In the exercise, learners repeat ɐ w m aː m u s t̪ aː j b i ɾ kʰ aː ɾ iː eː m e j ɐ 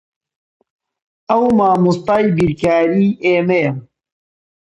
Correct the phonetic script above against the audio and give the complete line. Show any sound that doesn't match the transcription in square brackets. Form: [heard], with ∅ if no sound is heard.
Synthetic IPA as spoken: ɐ w m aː m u s t̪ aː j b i ɾ [k] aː ɾ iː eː m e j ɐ